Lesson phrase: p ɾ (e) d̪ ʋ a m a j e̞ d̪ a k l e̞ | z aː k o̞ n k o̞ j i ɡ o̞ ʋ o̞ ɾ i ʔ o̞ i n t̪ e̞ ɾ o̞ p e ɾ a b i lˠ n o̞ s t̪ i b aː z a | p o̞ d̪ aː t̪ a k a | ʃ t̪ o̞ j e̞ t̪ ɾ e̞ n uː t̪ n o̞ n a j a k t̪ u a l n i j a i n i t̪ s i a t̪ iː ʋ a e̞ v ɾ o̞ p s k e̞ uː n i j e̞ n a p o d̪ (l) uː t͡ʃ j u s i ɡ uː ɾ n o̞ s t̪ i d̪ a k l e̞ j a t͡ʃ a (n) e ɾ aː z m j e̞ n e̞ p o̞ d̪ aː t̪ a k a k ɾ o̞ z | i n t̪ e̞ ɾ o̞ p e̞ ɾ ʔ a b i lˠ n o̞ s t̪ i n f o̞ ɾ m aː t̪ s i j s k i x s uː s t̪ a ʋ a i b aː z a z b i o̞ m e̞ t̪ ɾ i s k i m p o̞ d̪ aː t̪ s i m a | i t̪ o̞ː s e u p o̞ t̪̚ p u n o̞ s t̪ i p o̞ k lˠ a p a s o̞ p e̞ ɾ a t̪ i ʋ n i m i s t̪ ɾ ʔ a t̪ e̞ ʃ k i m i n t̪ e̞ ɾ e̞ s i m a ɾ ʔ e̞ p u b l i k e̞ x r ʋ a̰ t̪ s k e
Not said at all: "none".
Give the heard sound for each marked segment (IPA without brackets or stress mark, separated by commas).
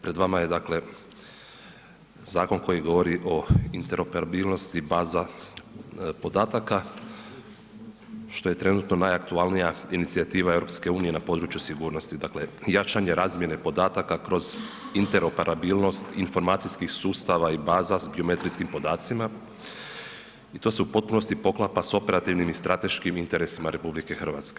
e, ɾ, ɲ